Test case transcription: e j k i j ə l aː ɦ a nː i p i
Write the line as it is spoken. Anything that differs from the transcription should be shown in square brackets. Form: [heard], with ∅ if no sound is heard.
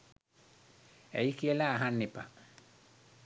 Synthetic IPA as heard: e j k i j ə l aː ɦ a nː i p [a]